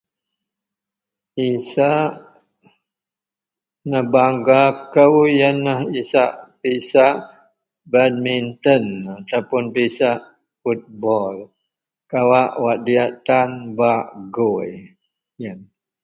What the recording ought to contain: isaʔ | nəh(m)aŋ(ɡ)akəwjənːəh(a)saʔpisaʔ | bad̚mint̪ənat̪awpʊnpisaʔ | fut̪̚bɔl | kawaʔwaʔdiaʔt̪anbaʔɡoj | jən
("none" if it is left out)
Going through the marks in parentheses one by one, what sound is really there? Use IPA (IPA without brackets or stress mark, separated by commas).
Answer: b, ɡ, i